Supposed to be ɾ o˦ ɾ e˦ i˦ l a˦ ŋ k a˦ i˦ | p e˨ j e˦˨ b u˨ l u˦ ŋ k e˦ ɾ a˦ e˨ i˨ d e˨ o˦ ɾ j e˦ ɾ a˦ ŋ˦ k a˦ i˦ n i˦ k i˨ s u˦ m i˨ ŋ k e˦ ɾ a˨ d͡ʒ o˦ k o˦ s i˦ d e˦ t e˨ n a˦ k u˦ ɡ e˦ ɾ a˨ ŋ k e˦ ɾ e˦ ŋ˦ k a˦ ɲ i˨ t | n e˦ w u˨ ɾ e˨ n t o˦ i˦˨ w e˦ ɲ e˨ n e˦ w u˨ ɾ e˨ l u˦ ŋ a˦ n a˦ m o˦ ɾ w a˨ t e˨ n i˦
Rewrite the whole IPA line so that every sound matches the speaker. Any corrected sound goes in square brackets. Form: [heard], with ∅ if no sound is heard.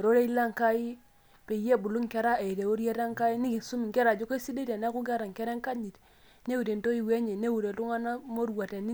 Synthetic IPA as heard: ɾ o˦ ɾ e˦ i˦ l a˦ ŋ k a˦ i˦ | p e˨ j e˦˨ b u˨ l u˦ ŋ k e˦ ɾ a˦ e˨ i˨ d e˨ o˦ ɾ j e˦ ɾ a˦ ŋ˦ k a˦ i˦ n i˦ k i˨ s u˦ m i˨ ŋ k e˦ ɾ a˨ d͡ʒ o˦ k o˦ s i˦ d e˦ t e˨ n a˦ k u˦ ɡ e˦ ɾ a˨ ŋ k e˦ ɾ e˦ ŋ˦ k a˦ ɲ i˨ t | n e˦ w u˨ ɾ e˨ n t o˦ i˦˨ w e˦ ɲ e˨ n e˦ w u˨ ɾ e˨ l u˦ ŋ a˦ n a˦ m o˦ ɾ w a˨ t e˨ n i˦